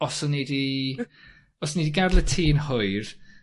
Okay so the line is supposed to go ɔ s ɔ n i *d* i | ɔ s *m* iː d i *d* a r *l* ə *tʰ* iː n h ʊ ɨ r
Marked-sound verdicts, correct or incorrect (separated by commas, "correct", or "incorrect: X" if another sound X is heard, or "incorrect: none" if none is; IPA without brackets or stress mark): correct, incorrect: n, incorrect: ɡ, correct, correct